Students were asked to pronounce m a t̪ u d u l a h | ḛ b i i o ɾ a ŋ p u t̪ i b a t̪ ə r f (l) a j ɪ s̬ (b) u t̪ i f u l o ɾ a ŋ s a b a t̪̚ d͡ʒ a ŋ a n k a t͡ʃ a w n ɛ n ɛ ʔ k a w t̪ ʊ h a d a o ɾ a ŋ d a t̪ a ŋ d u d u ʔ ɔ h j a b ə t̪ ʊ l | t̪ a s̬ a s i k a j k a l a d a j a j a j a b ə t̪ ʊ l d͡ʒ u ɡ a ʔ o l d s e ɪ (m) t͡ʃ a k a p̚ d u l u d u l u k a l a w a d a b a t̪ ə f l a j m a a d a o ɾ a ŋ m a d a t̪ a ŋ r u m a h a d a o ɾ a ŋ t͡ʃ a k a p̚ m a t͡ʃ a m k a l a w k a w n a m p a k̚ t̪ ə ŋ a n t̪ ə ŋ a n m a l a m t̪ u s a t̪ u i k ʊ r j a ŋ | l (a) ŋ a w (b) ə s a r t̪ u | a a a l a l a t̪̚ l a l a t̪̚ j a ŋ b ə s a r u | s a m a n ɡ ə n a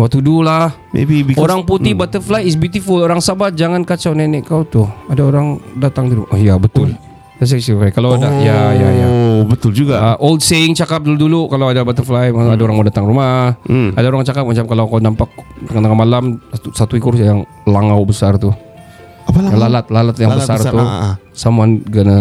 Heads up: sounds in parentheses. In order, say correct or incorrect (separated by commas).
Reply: correct, correct, incorrect, correct, correct